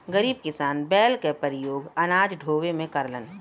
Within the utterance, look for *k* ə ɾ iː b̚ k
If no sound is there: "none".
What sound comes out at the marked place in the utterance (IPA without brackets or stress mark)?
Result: ɡ